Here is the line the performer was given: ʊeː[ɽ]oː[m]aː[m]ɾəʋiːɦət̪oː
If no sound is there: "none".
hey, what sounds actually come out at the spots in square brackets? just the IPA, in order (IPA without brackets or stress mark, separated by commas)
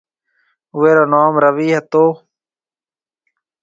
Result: ɾ, n, m